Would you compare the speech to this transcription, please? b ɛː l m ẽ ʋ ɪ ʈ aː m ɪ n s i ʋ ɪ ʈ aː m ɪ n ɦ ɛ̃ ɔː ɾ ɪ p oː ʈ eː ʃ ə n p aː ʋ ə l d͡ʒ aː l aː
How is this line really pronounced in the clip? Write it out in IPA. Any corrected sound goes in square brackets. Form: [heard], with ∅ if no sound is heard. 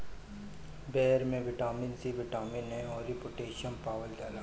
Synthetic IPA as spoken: b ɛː [ɾ] m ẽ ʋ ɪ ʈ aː m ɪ n s i ʋ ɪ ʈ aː m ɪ n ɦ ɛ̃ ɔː ɾ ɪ p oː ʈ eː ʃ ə n p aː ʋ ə l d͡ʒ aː l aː